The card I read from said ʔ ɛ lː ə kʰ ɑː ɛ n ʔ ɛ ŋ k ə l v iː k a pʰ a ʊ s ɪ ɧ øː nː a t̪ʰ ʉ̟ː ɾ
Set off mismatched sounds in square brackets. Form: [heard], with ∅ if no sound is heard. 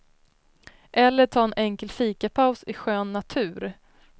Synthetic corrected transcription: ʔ ɛ lː ə [ʈʰ] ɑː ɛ n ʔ ɛ ŋ k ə l [f] iː k a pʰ a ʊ s ɪ ɧ øː nː a t̪ʰ ʉ̟ː ɾ